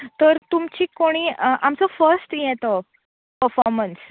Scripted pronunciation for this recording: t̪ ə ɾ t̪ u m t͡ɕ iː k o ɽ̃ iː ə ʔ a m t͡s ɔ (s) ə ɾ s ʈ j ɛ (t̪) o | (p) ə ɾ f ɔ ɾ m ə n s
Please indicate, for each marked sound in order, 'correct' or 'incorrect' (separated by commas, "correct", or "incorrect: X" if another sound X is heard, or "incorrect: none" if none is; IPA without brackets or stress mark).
incorrect: f, correct, correct